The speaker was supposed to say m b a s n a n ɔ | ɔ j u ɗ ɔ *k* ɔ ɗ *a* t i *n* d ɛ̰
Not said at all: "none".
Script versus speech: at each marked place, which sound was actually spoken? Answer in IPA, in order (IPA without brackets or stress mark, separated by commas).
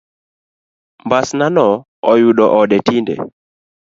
ʔ, ɛ, n